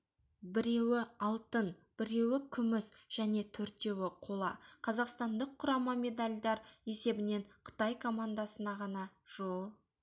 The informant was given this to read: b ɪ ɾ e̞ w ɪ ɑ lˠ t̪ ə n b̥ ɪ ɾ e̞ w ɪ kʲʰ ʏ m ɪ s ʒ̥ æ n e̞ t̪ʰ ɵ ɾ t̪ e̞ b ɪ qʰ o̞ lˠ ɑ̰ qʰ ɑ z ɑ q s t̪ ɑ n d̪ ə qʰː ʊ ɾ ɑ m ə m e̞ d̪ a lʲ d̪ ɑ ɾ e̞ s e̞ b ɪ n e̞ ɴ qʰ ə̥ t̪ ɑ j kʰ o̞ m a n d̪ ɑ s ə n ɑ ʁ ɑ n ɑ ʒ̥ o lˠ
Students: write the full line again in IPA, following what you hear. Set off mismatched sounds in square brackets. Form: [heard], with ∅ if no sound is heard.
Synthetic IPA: b ɪ ɾ e̞ w ɪ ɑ lˠ t̪ ə n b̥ ɪ ɾ e̞ w ɪ kʲʰ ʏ m ɪ s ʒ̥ æ n e̞ t̪ʰ ɵ ɾ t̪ e̞ [w] ɪ qʰ o̞ lˠ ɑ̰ qʰ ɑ z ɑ q s t̪ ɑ n d̪ ə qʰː ʊ ɾ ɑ m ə m e̞ d̪ a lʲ d̪ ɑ ɾ e̞ s e̞ b ɪ n e̞ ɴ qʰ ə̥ t̪ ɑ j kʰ o̞ m a n d̪ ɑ s ə n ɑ ʁ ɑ n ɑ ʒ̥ o lˠ